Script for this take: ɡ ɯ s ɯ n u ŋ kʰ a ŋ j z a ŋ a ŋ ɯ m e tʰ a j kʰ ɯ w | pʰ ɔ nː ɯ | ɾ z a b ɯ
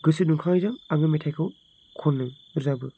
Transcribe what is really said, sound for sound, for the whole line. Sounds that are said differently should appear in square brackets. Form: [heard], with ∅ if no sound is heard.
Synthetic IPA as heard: ɡ ɯ s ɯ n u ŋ kʰ a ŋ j z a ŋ a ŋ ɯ m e tʰ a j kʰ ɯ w | [kʰ] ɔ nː ɯ | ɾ z a b ɯ